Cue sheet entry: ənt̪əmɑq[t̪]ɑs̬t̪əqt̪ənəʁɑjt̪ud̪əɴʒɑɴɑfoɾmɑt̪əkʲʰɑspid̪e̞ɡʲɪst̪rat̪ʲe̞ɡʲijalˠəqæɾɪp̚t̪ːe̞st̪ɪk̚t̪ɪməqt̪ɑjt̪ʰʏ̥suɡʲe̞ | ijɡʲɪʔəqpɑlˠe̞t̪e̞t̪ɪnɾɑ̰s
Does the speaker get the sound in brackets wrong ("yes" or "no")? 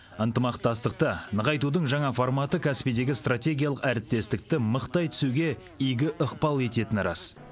no